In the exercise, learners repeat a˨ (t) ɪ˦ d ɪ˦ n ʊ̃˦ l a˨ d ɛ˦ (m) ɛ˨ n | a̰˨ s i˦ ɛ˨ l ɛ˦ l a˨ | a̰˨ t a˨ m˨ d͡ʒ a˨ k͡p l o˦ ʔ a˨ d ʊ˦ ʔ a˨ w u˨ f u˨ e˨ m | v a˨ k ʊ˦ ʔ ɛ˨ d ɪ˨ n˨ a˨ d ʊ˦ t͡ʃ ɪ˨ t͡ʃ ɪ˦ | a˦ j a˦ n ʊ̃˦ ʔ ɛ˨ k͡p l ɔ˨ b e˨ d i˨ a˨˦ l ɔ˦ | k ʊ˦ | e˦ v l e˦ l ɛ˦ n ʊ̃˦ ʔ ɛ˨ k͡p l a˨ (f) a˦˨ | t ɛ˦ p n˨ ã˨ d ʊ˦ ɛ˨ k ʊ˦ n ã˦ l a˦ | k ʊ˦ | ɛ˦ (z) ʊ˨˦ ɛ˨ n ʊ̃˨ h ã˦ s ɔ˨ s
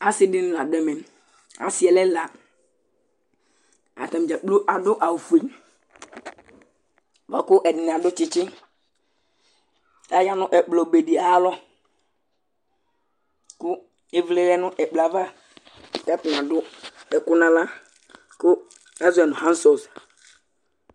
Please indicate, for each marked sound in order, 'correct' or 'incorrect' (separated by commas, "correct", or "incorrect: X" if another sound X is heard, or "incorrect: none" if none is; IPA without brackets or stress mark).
incorrect: s, correct, incorrect: v, correct